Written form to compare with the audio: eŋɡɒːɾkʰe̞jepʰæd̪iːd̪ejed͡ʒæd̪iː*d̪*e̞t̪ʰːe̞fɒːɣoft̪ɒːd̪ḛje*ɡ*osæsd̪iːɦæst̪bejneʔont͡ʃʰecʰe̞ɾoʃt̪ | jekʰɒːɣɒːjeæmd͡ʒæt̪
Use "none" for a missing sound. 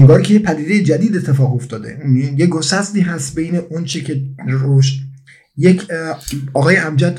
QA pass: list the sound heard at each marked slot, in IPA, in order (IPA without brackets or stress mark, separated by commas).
d̪, ɡ